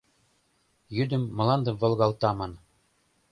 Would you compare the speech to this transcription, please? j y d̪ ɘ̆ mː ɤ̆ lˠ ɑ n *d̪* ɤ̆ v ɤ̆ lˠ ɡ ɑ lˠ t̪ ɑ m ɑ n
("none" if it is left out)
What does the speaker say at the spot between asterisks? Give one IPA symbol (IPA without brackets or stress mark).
d̪